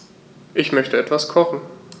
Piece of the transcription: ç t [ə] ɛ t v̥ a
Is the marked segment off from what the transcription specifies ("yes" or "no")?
no